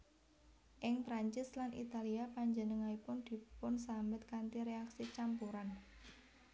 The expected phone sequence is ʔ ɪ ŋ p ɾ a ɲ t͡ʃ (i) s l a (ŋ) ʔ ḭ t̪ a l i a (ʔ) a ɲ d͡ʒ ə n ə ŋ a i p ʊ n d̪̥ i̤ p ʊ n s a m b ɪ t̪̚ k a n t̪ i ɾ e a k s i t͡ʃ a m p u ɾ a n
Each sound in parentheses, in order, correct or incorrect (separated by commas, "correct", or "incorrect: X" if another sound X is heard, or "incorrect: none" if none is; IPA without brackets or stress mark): incorrect: ɪ, incorrect: n, incorrect: p